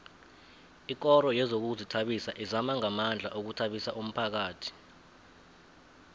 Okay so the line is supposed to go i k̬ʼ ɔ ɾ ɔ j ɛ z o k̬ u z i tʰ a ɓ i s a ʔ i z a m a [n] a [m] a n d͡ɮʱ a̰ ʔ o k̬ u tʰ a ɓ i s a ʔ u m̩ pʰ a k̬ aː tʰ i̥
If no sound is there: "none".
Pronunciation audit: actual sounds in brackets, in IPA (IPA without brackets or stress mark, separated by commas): ŋ, m